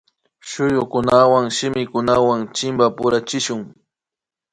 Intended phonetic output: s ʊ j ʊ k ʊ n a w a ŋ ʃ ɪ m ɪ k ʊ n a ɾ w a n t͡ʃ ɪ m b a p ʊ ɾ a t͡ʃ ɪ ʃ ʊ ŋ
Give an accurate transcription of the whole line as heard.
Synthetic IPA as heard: ʃ ʊ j ʊ k ʊ n a w a ŋ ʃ ɪ m ɪ k ʊ n a w a ŋ t͡ʃ ɪ m b a p ʊ ɾ a t͡ʃ ɪ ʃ ʊ ŋ